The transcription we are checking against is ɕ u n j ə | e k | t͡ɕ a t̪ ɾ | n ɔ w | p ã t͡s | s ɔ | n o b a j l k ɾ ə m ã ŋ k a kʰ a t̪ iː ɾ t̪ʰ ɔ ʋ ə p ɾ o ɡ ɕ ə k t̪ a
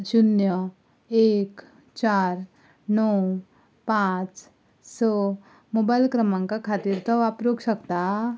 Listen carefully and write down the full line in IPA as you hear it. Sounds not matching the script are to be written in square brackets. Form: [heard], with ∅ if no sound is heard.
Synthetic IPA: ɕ u n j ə | e k | t͡ɕ a [∅] ɾ | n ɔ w | p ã t͡s | s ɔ | [m] o b a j l k ɾ ə m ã ŋ k a kʰ a t̪ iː ɾ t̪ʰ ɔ ʋ [a] p ɾ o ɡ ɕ ə k t̪ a

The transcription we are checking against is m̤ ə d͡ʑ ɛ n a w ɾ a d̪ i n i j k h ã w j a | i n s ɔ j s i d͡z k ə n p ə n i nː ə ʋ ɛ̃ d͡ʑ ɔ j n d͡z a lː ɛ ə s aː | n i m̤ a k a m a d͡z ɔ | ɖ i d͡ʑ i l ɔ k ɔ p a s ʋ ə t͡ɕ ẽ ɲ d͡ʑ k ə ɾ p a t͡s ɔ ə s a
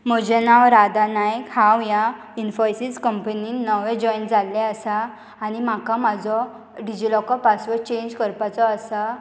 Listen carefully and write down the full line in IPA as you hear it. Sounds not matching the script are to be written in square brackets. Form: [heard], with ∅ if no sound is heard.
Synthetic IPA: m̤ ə d͡ʑ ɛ n a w ɾ a d̪ [a] n [a] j k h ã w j a | i n [f] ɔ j s i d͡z k ə [m] p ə n i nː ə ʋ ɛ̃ d͡ʑ ɔ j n d͡z a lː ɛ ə s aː | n i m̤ a k a m a d͡z ɔ | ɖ i d͡ʑ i l ɔ k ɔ p a s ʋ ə t͡ɕ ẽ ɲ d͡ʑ k ə ɾ p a t͡s ɔ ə s a

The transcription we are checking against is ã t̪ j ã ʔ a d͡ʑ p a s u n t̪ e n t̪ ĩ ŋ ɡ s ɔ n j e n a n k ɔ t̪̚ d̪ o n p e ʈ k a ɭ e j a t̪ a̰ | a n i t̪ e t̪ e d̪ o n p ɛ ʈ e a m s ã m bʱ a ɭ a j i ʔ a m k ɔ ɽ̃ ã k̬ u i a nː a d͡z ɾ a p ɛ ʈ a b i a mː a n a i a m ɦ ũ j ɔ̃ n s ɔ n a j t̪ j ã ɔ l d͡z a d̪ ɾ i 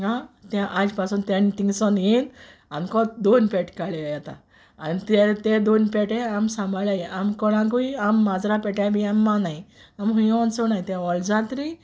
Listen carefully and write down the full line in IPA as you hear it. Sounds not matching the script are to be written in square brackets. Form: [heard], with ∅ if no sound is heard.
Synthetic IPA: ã t̪ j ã ʔ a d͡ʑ p a s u n t̪ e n t̪ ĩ ŋ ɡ s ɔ n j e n a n k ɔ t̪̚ d̪ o n p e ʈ k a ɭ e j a t̪ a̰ | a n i t̪ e t̪ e d̪ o n p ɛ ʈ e a m s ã m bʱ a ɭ a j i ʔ a m k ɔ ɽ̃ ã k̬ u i a [mː] a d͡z ɾ a p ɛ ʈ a b i a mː a n a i a m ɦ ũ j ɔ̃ n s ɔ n a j t̪ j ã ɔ l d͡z a [t̪] ɾ i

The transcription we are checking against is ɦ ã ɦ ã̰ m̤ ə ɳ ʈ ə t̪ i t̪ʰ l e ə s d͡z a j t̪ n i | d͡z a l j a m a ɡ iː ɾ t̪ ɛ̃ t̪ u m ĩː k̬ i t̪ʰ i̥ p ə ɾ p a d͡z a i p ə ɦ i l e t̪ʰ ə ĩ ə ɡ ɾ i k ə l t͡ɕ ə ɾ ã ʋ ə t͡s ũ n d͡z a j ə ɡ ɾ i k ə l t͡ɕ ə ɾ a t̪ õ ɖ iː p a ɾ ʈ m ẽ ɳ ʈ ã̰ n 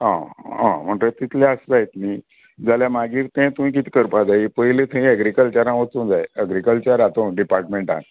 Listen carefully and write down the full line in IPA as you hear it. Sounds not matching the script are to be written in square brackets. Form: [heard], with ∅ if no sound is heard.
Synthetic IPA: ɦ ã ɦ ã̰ m̤ ə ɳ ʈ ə t̪ i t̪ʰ l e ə s d͡z a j t̪ n i | d͡z a l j a m a ɡ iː ɾ t̪ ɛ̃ t̪ u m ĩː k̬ i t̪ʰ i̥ [k] ə ɾ p a d͡z a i p ə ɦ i l e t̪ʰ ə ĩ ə ɡ ɾ i k ə l t͡ɕ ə ɾ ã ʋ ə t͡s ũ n d͡z a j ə ɡ ɾ i k ə l t͡ɕ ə ɾ a t̪ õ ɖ [i] p a ɾ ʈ m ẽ ɳ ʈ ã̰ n

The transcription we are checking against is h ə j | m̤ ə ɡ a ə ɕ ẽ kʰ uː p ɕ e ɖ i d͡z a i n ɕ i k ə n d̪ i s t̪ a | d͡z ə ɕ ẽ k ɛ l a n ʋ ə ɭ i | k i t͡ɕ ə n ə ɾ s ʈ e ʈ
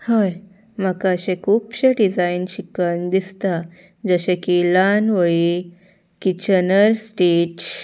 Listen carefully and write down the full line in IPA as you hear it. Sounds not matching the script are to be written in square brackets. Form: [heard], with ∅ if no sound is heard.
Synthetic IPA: h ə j | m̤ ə [k] a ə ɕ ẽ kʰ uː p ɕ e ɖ i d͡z a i n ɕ i k ə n d̪ i s t̪ a | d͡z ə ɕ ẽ k [i] l a n ʋ ə ɭ i | k i t͡ɕ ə n ə ɾ s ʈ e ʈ

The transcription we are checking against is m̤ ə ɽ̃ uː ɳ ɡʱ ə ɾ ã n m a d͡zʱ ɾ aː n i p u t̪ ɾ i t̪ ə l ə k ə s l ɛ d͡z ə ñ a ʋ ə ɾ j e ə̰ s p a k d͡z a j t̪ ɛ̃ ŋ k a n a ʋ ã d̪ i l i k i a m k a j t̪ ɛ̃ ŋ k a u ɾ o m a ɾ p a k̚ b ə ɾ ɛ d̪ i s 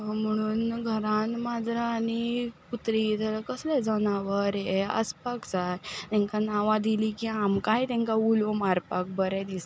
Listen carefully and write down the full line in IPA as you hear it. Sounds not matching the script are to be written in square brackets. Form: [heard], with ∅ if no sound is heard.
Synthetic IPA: m̤ ə ɽ̃ uː [n] ɡʱ ə ɾ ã n m a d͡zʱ ɾ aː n i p u t̪ ɾ i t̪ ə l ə k ə s l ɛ d͡z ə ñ a ʋ ə ɾ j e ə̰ s p a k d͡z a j t̪ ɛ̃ ŋ k a n a ʋ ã d̪ i l i k i a m k a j t̪ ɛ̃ ŋ k a u [l] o m a ɾ p a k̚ b ə ɾ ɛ d̪ i s

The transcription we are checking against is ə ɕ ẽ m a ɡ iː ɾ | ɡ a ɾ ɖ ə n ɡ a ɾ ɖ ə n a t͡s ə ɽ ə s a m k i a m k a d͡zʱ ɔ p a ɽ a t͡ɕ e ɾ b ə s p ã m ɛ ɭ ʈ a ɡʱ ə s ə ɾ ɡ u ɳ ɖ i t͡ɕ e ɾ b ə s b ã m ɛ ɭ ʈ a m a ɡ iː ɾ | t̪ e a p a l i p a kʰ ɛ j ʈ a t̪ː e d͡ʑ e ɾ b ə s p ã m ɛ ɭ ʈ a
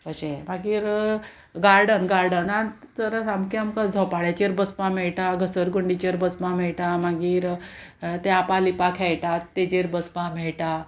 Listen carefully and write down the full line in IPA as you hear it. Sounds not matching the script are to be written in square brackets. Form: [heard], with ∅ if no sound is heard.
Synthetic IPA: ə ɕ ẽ m a ɡ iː ɾ | ɡ a ɾ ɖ ə n ɡ a ɾ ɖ ə n a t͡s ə [ɾ] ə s a m k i a m k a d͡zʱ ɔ p a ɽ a t͡ɕ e ɾ b ə s p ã m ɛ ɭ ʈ a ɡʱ ə s ə ɾ ɡ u ɳ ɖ i t͡ɕ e ɾ b ə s [p] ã m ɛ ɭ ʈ a m a ɡ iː ɾ | t̪ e a p a l i p a kʰ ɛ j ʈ a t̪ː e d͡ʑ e ɾ b ə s p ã m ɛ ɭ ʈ a

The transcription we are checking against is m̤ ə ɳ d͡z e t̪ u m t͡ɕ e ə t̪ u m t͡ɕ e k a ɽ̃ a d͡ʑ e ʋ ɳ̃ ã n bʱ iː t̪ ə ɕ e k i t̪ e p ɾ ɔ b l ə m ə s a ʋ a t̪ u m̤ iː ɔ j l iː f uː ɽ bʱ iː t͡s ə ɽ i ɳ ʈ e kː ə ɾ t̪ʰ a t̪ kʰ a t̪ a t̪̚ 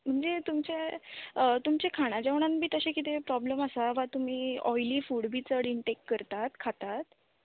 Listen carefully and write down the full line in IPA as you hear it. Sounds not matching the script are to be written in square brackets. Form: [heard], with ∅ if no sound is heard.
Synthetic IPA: m̤ ə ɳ d͡z e t̪ u m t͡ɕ e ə t̪ u m t͡ɕ e [kʰ] a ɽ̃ a d͡ʑ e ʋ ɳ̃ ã n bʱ iː t̪ ə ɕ e k i t̪ e p ɾ ɔ b l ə m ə s a ʋ a t̪ u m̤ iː ɔ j l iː f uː ɽ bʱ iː t͡s ə ɽ i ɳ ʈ e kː ə ɾ [t̪] a t̪ kʰ a t̪ a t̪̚

